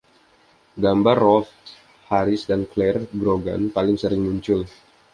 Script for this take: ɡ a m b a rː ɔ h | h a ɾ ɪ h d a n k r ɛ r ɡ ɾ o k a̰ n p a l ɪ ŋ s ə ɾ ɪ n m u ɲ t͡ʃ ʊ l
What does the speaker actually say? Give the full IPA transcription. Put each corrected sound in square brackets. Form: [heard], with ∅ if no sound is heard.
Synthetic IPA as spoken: ɡ a m b a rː ɔ [f] | h a ɾ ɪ [s] d a n k [l] ɛ r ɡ ɾ o [ɡ] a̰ n p a l ɪ ŋ s ə ɾ ɪ [ŋ] m u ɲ t͡ʃ ʊ l